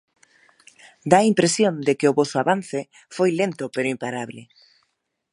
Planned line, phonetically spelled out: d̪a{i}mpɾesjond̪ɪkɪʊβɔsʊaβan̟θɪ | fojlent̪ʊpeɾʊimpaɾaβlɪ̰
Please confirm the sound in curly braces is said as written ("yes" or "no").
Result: yes